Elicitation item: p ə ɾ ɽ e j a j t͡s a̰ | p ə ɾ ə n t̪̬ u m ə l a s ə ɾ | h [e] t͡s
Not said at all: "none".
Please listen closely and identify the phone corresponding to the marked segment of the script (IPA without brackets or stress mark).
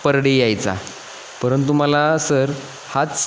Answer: a